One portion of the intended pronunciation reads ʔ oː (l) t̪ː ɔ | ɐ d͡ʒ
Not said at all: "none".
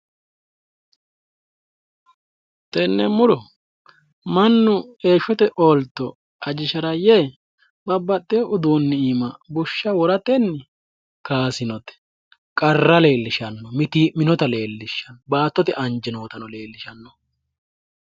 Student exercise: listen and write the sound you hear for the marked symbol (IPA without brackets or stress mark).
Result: l